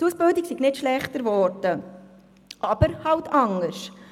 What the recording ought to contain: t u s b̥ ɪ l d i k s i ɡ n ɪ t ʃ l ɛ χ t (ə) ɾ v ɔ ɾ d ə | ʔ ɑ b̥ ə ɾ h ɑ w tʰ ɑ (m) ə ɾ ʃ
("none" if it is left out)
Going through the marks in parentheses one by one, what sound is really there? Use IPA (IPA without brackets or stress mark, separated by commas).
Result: ə, ŋ